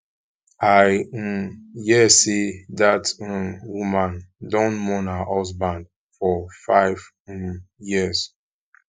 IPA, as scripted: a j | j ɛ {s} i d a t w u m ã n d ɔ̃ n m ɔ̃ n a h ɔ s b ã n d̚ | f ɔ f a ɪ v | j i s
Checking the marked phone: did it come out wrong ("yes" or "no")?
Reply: no